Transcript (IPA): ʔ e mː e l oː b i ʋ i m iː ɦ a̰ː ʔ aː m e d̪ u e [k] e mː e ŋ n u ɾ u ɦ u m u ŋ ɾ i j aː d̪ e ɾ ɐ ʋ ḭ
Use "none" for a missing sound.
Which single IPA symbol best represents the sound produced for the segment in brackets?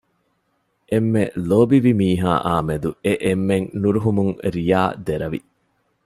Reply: ʔ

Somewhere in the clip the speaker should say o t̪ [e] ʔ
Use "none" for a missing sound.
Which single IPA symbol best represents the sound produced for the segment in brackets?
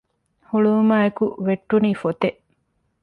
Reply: e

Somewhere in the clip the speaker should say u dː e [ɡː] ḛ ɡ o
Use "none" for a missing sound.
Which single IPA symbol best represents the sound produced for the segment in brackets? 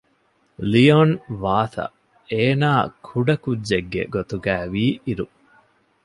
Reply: ɡː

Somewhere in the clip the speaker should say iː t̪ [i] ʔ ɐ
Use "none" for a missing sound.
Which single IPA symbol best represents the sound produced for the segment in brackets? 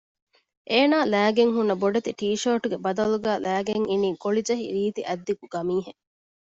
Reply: i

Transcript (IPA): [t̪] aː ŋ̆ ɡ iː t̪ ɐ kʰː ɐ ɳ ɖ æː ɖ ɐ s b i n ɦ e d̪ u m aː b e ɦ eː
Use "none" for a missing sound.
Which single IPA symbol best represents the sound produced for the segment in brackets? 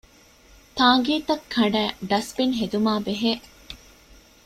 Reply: t̪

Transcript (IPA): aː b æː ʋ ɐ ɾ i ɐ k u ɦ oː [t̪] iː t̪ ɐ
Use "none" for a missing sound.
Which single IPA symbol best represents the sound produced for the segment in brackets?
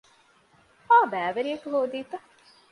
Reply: d̪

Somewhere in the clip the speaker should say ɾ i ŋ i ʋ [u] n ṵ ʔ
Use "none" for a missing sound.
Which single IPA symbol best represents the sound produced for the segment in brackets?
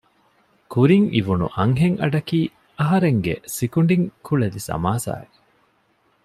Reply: u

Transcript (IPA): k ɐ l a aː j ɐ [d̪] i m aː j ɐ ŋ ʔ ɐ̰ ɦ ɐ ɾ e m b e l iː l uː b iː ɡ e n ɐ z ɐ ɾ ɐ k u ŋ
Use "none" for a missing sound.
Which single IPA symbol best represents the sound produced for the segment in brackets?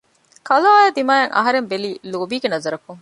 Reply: d̪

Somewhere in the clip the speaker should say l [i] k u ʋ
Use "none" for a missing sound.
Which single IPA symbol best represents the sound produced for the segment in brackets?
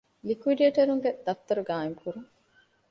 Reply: i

